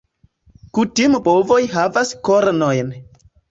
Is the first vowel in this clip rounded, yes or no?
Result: yes